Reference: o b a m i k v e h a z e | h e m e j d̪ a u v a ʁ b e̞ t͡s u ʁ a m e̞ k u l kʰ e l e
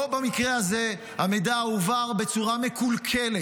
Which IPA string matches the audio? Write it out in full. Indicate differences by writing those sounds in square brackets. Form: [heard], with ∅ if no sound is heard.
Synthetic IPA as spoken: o b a m i k [ʁ] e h a z e | h [a] m e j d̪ a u v a ʁ b e̞ t͡s u ʁ a m e̞ k u l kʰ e l e